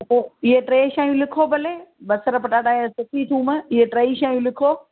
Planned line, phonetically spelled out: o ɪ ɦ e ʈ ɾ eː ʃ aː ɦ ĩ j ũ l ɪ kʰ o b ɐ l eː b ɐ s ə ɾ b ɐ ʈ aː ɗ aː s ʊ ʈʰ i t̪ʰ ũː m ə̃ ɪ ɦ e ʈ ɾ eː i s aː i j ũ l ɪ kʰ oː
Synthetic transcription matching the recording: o ɪ ɦ e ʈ ɾ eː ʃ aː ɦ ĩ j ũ l ɪ kʰ o b ɐ l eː b ɐ s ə ɾ p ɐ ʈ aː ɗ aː s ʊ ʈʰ i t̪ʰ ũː m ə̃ ɪ ɦ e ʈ ɾ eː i ʃ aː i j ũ l ɪ kʰ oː